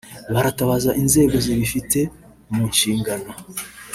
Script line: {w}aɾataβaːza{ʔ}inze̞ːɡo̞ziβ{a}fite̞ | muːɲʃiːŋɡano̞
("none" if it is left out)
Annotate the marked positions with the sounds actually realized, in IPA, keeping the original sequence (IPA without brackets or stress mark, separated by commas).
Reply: β, ʔ, i